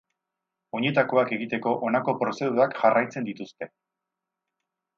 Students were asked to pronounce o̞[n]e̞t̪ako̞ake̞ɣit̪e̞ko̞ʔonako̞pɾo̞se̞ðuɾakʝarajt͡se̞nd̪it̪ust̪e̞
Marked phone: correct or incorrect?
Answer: incorrect: ɲ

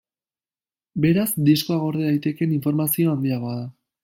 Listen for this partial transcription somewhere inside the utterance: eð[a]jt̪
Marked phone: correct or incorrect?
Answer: correct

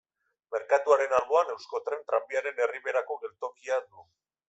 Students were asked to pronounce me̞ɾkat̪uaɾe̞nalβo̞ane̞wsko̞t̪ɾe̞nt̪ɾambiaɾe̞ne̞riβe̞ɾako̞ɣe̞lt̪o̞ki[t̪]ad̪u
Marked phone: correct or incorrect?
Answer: incorrect: none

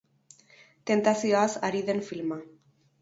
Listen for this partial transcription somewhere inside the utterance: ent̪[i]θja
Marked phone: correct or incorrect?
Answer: incorrect: a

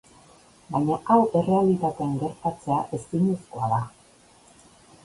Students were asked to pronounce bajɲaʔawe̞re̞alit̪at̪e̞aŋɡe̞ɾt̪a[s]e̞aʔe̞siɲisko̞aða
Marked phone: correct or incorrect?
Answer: incorrect: t͡s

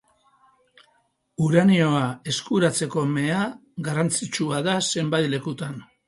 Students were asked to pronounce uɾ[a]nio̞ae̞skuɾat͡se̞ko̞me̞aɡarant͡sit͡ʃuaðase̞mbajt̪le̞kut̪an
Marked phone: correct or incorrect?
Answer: correct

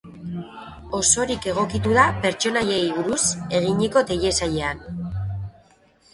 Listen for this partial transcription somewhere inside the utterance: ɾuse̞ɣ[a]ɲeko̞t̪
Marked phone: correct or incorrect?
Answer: incorrect: i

